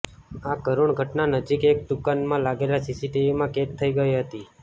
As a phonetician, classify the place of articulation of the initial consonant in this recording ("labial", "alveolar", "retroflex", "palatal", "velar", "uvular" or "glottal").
velar